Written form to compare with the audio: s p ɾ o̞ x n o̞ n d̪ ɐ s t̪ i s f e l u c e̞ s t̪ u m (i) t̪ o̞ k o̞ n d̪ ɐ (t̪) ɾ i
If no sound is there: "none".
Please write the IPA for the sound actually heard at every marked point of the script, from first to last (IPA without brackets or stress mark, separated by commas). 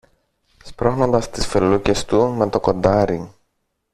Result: e, none